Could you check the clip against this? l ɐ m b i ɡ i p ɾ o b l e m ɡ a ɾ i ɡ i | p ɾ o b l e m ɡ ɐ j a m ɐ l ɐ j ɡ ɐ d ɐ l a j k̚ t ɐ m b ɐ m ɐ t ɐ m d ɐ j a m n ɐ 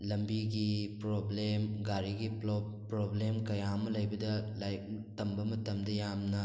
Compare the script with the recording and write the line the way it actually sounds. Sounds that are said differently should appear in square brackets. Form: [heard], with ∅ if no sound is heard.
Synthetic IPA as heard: l ɐ m b i ɡ i p ɾ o b l e m ɡ a ɾ i ɡ i | p ɾ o b l e m [k] ɐ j a m ɐ l ɐ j [b] ɐ d ɐ l a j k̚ t ɐ m b ɐ m ɐ t ɐ m d ɐ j a m n ɐ